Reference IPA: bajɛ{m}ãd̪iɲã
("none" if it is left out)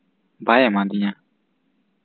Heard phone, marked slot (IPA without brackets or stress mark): m